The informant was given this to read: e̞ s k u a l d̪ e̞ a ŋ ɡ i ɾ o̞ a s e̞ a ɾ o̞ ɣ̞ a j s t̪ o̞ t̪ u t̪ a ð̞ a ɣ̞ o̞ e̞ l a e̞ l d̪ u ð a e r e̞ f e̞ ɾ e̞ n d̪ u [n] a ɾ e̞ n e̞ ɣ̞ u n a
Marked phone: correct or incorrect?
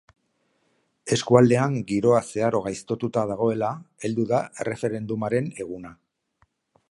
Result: incorrect